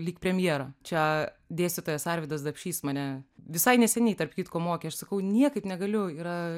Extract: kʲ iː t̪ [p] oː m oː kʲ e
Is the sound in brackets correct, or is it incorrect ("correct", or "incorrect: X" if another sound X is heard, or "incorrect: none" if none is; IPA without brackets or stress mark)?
incorrect: k